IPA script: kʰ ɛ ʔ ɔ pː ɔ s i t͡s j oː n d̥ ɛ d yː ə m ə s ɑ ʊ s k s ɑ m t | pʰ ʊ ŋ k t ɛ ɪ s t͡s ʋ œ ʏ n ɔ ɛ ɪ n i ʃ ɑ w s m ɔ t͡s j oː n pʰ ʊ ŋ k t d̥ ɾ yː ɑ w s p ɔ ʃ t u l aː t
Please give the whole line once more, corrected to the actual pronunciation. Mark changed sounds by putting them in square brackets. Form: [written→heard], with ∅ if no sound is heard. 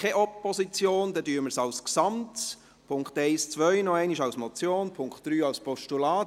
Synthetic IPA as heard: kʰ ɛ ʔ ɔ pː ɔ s i t͡s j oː n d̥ ɛ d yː ə m ə s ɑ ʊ s k s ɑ m t | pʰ ʊ ŋ k t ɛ ɪ s t͡s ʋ œ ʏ n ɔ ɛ ɪ n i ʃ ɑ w s m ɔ t͡s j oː n pʰ ʊ ŋ k t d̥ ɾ yː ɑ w s p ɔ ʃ t u l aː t